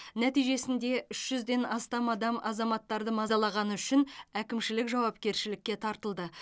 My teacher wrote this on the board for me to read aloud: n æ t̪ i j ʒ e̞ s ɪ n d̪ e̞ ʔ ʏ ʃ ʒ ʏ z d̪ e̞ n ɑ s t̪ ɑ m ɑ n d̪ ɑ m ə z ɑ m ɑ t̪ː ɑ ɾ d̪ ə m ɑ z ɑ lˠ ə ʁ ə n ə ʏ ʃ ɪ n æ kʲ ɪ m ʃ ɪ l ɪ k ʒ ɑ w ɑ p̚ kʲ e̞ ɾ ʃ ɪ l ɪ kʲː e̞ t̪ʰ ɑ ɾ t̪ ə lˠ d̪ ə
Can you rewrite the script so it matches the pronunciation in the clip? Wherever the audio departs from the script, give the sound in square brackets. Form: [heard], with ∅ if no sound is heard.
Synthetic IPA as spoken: n æ t̪ i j ʒ e̞ s ɪ n d̪ e̞ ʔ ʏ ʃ ʒ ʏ z d̪ e̞ n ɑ s t̪ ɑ m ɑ [∅] d̪ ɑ m [ɑ] z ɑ m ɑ t̪ː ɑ ɾ d̪ ə m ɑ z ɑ lˠ [ɑ] ʁ [ɑ] n ə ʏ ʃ ɪ n æ kʲ ɪ m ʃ ɪ l ɪ k ʒ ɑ w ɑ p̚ kʲ e̞ ɾ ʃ ɪ l ɪ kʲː e̞ t̪ʰ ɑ ɾ t̪ ə lˠ d̪ ə